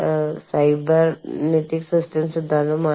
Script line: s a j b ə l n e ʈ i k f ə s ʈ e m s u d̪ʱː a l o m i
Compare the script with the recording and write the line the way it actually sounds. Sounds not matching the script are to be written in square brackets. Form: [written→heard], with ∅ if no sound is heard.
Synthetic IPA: s a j b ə [l→ɾ] n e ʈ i k [f→s] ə s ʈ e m s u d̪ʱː a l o m [i→a]